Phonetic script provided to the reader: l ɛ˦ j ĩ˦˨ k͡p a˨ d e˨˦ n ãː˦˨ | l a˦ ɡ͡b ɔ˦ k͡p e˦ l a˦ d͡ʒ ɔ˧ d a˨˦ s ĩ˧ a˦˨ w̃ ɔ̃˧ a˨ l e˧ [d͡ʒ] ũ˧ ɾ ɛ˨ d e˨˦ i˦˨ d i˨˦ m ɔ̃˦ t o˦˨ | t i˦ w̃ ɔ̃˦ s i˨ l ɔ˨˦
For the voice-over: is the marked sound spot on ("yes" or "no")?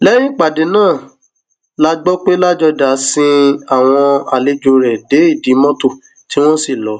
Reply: yes